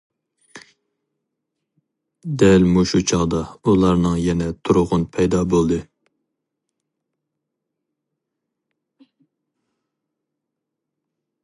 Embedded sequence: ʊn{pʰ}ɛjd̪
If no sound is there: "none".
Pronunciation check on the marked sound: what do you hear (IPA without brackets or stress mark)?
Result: pʰ